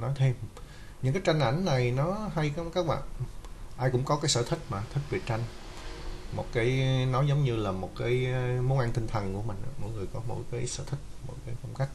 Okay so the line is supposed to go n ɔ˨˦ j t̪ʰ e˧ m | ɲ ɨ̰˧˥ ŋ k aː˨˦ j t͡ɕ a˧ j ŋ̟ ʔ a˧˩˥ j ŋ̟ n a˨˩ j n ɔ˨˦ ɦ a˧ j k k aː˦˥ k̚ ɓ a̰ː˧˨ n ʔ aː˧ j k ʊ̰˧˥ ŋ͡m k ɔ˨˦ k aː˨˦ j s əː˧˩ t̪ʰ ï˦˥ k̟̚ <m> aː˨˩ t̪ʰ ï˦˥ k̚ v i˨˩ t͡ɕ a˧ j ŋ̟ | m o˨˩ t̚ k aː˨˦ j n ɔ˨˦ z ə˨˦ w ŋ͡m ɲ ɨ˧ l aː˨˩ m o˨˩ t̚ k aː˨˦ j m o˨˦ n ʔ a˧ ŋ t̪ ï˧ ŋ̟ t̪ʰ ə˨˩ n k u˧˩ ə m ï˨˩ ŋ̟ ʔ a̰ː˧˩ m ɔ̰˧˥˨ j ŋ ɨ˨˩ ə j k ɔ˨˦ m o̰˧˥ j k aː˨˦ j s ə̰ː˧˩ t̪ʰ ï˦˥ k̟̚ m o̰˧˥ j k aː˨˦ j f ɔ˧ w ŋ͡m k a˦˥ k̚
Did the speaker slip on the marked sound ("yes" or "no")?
no